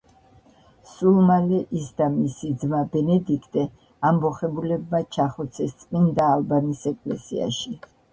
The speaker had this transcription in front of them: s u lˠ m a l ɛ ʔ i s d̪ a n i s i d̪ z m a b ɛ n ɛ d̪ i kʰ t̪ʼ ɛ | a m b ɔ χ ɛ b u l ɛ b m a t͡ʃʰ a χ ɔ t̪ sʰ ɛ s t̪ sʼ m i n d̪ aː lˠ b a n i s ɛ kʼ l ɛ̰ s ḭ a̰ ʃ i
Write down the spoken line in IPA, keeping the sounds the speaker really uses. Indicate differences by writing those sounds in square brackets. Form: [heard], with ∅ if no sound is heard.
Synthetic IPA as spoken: s u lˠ m a l ɛ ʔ i s d̪ a [m] i s i d̪ z m a b ɛ n ɛ d̪ i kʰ t̪ʼ ɛ | a m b ɔ χ ɛ b u l ɛ b m a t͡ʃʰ a χ ɔ t̪ sʰ ɛ s t̪ sʼ m i n d̪ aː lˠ b a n i s ɛ kʼ l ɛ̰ s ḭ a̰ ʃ i